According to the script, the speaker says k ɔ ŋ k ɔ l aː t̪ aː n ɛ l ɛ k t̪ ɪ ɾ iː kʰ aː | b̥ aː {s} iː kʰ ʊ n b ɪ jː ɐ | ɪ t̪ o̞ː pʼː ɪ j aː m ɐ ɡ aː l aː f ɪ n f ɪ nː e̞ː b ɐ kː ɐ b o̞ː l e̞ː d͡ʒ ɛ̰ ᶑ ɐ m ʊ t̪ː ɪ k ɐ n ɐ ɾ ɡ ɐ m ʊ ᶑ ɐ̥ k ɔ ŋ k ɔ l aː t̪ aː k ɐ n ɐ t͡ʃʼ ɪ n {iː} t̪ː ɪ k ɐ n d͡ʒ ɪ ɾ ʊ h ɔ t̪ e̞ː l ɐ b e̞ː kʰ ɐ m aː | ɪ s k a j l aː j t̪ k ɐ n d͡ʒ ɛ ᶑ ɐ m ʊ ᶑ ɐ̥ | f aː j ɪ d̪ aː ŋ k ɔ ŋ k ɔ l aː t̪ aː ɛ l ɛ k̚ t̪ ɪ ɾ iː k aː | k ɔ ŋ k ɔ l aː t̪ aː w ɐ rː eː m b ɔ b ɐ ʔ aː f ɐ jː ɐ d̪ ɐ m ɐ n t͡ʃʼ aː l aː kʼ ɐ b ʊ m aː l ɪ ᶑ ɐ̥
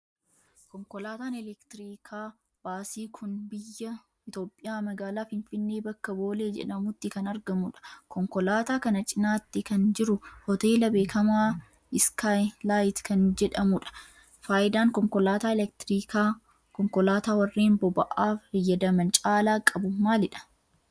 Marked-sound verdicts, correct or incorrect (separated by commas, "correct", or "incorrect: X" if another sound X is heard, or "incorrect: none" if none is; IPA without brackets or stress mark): correct, incorrect: aː